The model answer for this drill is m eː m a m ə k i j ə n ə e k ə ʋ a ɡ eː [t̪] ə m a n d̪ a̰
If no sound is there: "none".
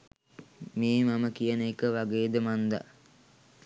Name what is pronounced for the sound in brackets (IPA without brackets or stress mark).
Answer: d̪